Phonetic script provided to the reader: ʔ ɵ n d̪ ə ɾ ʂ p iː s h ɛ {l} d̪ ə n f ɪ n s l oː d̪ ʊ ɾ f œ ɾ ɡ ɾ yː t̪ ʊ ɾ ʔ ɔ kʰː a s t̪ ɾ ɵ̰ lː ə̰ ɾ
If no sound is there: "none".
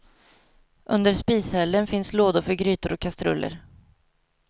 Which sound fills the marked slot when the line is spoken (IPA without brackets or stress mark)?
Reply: l